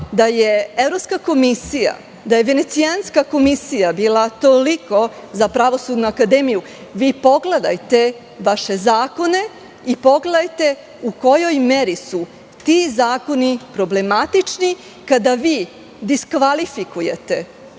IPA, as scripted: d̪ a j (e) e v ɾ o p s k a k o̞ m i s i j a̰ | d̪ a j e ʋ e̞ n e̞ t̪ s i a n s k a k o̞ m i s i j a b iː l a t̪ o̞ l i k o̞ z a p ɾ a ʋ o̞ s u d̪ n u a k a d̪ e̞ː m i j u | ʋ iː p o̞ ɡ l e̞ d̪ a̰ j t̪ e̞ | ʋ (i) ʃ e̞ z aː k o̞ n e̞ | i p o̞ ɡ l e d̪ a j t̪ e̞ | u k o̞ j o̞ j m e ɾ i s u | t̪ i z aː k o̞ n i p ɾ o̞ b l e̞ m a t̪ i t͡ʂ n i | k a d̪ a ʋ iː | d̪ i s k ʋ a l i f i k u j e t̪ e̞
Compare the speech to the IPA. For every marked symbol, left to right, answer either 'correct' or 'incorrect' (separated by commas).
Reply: correct, incorrect